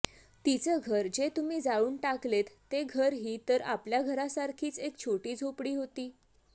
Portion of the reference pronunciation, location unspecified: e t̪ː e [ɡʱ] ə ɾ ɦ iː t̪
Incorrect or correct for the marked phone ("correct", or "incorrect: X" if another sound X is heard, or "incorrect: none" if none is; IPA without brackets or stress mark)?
correct